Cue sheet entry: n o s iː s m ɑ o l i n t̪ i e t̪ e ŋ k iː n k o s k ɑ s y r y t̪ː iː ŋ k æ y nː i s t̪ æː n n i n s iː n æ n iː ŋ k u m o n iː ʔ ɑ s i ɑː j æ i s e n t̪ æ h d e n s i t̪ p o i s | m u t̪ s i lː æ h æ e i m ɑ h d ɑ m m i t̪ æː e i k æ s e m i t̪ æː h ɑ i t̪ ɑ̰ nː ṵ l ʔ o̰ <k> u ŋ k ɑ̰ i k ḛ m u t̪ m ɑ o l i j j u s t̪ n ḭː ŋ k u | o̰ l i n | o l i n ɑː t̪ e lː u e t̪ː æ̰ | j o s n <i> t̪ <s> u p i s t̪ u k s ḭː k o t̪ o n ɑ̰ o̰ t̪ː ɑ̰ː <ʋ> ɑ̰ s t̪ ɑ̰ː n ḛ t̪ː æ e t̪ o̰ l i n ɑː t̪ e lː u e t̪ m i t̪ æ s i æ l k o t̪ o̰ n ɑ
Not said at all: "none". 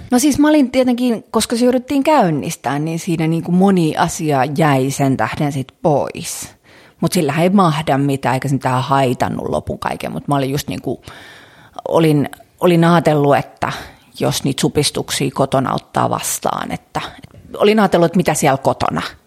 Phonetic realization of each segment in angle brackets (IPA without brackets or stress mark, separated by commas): p, iː, s, ʋ